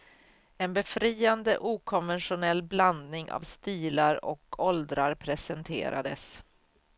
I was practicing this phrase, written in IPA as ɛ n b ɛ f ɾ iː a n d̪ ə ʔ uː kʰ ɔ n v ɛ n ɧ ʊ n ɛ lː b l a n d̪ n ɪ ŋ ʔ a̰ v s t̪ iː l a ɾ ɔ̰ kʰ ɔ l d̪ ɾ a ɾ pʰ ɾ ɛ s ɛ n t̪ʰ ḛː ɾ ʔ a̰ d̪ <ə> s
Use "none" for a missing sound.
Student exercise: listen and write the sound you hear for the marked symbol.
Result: ə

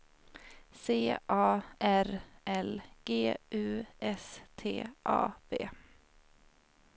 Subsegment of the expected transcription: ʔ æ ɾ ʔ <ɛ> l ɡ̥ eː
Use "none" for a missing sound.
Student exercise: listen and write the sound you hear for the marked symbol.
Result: ɛ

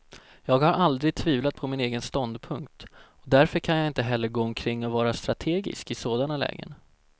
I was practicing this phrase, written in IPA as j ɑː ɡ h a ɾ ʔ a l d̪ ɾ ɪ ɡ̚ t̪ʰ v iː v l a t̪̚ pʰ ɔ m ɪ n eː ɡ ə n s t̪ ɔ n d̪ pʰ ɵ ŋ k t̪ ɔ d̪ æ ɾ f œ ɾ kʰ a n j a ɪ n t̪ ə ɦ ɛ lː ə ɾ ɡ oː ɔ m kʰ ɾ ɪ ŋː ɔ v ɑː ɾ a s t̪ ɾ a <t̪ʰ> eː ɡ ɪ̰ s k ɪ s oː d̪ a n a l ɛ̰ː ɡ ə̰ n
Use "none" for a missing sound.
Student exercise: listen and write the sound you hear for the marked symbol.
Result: t̪ʰ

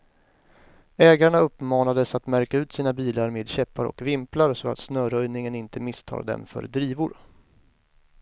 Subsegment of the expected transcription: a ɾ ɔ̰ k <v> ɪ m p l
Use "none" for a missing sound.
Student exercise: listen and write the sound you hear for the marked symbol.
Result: v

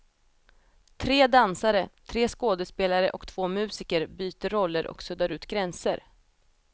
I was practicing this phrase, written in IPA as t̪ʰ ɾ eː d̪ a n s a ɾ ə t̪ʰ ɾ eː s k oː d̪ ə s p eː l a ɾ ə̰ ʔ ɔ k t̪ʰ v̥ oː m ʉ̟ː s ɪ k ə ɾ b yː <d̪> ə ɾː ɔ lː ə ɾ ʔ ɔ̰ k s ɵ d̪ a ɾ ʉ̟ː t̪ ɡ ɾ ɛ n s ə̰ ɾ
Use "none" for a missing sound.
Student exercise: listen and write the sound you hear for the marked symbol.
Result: t̪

